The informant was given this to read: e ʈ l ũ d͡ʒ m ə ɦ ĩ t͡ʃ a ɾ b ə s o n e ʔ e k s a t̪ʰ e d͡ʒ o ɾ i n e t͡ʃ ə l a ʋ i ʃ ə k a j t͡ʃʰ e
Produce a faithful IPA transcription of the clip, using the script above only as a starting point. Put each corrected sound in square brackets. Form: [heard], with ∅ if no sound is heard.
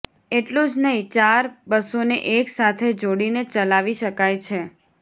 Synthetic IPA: e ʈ l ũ d͡ʒ [n] ə ɦ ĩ t͡ʃ a ɾ b ə s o n e ʔ e k s a t̪ʰ e d͡ʒ o [ɽ] i n e t͡ʃ ə l a ʋ i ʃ ə k a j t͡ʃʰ e